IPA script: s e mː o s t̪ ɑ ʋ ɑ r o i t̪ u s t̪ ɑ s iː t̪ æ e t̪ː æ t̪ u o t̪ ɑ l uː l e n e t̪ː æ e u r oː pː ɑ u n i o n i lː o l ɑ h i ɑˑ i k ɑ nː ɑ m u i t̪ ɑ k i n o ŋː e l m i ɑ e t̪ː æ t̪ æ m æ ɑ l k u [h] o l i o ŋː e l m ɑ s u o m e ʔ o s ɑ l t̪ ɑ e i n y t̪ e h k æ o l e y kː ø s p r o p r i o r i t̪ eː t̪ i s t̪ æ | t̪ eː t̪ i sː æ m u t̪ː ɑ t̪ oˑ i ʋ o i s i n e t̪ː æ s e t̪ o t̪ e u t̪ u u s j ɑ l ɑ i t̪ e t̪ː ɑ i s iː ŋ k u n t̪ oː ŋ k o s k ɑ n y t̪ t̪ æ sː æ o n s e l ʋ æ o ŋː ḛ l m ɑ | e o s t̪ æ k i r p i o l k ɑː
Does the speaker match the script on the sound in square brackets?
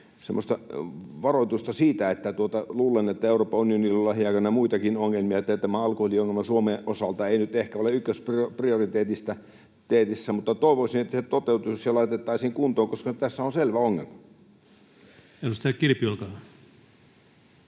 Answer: yes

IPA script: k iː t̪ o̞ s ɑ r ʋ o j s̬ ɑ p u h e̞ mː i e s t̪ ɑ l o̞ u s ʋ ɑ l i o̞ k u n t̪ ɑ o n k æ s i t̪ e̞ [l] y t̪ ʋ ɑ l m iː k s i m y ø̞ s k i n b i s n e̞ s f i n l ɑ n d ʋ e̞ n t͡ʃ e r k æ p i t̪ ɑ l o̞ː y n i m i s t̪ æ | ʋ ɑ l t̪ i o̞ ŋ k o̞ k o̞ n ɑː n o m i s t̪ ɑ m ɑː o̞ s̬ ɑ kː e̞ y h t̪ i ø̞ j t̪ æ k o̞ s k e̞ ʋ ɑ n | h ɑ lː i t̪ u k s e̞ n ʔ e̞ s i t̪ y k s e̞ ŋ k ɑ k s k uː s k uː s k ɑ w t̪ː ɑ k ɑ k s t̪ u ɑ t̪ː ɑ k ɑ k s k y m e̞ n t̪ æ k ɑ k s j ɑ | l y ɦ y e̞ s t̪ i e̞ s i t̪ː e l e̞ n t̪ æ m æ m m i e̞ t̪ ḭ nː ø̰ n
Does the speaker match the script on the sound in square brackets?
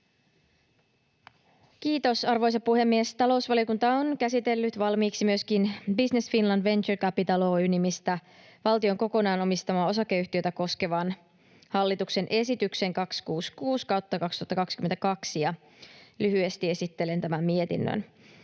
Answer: no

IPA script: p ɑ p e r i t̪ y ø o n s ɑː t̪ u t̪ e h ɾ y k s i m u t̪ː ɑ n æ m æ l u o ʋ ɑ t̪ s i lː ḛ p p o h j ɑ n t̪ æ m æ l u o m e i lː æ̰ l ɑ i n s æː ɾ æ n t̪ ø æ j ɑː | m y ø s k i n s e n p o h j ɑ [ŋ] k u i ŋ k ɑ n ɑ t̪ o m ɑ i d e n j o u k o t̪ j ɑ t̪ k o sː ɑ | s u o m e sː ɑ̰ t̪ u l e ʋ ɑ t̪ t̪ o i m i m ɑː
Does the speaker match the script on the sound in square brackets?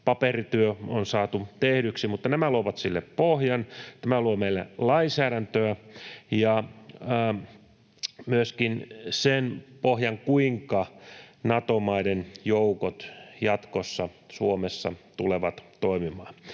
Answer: yes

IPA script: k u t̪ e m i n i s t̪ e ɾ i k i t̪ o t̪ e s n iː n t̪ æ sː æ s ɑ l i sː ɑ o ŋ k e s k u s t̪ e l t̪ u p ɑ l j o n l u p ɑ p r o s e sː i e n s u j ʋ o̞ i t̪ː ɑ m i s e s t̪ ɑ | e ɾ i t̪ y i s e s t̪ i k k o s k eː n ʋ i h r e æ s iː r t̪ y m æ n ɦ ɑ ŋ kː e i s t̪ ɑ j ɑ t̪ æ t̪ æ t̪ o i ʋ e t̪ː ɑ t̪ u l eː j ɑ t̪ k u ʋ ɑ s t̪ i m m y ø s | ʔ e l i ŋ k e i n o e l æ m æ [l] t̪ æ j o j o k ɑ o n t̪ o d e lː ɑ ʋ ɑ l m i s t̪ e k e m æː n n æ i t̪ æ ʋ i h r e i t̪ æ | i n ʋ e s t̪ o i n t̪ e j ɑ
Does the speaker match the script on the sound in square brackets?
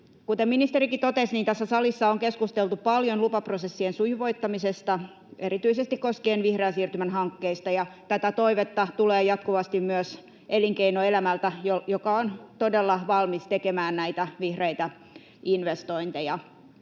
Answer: yes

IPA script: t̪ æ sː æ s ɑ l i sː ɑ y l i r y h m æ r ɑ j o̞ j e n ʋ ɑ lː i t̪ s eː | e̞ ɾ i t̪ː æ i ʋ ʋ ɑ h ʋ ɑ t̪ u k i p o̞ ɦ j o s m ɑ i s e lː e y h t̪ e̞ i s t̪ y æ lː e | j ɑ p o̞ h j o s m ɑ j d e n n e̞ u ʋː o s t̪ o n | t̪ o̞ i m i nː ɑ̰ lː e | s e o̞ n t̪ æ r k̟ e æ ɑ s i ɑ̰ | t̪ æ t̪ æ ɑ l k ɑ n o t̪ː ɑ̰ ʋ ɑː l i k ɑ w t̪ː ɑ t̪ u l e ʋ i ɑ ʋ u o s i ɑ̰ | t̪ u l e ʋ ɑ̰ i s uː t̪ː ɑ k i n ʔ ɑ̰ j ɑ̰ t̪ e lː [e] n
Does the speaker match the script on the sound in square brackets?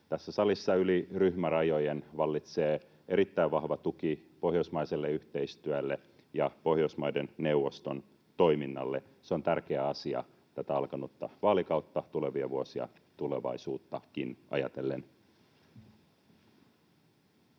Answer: yes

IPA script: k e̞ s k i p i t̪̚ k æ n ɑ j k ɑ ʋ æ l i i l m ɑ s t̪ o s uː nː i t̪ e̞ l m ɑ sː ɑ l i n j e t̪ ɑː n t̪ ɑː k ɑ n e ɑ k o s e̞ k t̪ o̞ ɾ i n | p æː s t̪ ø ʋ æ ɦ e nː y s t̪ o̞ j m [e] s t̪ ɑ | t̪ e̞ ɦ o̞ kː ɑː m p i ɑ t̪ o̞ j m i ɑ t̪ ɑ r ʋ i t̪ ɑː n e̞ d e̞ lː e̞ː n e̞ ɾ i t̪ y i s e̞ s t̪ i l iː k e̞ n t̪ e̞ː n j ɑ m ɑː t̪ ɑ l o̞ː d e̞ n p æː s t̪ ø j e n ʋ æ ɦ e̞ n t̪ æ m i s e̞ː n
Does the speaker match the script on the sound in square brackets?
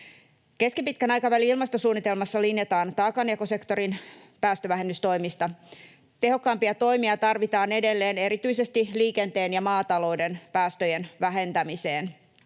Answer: no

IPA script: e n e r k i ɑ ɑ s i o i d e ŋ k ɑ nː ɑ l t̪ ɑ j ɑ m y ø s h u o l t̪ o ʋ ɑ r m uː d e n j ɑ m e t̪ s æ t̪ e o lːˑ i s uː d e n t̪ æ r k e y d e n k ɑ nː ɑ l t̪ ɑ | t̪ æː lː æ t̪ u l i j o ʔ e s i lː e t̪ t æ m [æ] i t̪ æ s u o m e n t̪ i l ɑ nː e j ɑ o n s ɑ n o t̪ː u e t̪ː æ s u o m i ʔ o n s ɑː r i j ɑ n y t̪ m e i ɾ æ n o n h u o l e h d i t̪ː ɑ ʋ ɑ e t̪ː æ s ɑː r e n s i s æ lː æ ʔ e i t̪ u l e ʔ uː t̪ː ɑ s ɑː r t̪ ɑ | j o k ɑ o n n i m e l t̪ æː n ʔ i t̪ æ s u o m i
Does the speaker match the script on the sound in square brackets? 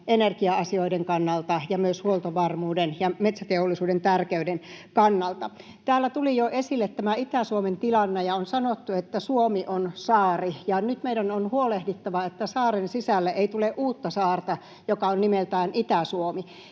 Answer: yes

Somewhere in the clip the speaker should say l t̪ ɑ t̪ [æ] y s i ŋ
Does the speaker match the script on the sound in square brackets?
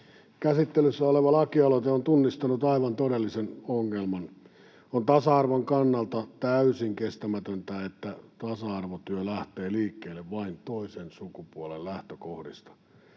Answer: yes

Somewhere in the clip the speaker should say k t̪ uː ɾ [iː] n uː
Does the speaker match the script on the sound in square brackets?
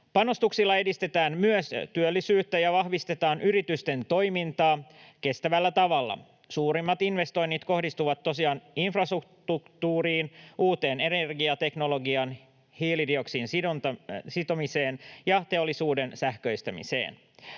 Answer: yes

